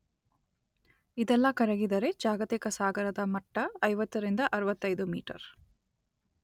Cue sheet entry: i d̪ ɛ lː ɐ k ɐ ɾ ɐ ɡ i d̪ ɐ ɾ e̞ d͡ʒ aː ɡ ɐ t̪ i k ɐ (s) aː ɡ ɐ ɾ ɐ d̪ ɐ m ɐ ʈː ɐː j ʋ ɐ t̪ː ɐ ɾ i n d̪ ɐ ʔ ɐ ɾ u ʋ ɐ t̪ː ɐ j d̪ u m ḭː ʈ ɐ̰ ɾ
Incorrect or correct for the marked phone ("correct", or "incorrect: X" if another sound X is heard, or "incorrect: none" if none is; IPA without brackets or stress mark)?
correct